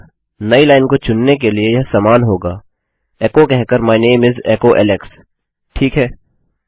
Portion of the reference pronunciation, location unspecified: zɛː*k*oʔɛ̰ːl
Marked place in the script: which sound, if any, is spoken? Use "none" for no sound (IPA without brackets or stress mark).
k